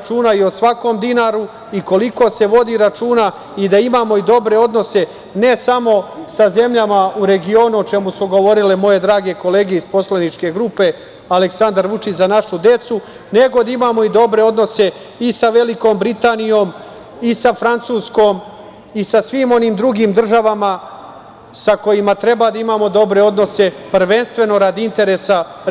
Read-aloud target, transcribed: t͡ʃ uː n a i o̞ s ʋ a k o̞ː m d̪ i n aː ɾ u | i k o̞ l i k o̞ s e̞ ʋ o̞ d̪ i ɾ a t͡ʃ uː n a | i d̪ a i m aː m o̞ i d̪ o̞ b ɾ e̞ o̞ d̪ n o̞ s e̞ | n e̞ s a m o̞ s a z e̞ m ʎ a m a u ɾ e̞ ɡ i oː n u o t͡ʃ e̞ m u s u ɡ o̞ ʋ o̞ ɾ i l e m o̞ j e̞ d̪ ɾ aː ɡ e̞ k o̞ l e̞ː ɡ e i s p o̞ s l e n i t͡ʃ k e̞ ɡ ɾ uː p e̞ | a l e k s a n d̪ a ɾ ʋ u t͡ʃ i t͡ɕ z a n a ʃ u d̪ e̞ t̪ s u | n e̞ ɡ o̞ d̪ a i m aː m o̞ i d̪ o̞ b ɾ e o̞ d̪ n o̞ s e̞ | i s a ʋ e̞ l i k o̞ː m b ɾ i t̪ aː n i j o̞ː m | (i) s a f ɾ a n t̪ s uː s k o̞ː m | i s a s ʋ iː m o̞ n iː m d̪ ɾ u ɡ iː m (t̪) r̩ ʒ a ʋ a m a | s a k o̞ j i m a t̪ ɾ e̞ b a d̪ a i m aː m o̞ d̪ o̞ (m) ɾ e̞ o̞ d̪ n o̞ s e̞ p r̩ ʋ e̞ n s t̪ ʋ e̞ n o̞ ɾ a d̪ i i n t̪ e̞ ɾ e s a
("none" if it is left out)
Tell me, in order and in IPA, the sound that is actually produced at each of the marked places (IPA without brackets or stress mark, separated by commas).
i, d̪, b